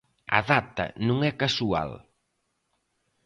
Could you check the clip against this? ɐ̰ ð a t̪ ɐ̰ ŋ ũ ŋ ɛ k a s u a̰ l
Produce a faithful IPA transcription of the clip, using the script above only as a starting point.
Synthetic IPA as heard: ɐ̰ ð a t̪ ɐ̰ n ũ ŋ ɛ k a s u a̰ l